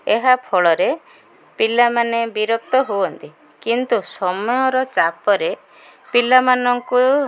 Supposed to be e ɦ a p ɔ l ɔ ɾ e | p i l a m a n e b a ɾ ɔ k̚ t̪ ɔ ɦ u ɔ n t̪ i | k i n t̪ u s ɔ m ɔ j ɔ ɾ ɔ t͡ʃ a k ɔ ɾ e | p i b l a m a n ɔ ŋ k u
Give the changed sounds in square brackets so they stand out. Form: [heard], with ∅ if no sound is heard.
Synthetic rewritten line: e ɦ a [pʰ] ɔ [ɭ] ɔ ɾ e | p i l a m a n e b [i] ɾ ɔ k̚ t̪ ɔ ɦ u ɔ n t̪ i | k i n t̪ u s ɔ m ɔ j ɔ ɾ ɔ t͡ʃ a [p] ɔ ɾ e | p i [∅] l a m a n ɔ ŋ k u